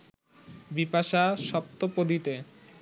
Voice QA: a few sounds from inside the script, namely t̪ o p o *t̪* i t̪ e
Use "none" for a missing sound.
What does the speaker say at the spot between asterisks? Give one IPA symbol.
d̪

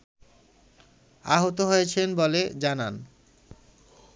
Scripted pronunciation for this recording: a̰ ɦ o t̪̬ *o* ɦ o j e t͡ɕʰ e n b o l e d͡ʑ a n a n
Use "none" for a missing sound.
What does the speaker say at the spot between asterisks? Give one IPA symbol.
o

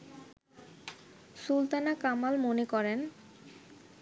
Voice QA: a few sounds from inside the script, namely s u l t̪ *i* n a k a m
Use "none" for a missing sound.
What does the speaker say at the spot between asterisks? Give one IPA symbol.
a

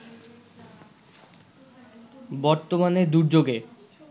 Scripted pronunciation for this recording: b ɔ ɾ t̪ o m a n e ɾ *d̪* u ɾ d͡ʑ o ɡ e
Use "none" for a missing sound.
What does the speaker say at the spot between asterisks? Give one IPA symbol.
d̪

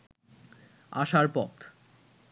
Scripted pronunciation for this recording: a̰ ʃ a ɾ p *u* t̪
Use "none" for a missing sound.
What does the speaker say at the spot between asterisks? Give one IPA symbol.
ɔ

